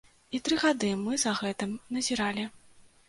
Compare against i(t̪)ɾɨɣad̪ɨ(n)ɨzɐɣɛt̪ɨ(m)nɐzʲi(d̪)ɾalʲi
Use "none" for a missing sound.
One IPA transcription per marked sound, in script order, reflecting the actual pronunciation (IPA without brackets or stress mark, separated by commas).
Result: t̪, m, m, none